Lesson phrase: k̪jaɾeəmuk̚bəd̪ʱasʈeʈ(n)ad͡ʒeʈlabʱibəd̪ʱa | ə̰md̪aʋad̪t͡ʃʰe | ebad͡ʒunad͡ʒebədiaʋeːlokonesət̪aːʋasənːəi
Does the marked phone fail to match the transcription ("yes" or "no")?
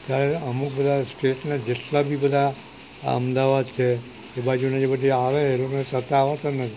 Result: no